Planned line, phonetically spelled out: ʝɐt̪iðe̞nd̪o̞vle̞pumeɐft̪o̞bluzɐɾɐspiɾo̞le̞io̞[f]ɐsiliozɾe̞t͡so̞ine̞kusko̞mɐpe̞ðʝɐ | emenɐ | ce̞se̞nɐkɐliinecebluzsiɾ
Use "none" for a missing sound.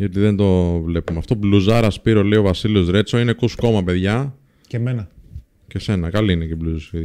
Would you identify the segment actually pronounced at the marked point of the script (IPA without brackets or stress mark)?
v